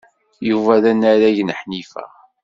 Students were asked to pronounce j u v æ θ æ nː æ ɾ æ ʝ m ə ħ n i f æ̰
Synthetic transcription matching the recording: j u v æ ð æ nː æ ɾ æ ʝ n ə ħ n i f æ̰